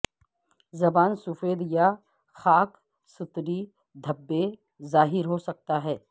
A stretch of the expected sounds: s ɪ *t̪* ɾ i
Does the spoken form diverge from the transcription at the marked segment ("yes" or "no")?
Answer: no